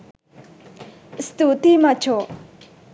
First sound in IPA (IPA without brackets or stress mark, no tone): s